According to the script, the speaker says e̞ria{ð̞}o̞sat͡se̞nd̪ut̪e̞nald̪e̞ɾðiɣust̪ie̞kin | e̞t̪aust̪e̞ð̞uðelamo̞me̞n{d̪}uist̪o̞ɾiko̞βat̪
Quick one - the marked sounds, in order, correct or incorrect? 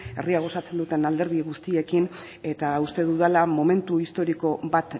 incorrect: ɣ̞, incorrect: t̪

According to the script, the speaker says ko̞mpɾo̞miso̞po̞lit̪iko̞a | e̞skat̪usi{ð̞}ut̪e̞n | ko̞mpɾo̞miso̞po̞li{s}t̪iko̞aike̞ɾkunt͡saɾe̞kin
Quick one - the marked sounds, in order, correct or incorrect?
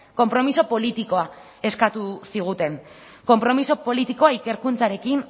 incorrect: ɣ̞, incorrect: none

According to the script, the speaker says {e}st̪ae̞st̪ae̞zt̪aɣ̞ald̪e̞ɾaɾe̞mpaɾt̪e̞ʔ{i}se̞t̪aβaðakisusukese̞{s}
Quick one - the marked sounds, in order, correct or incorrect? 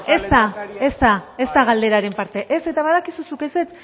correct, incorrect: e, incorrect: t͡s

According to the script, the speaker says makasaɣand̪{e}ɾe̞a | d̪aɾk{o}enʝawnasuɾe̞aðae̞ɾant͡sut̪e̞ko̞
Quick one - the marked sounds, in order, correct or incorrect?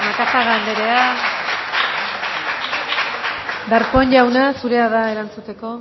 correct, correct

